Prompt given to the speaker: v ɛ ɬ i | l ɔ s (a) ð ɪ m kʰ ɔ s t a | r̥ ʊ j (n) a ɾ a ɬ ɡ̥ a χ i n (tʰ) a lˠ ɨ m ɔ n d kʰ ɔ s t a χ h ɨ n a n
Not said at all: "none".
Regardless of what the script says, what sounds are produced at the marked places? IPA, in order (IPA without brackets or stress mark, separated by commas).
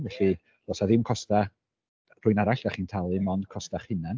a, n, tʰ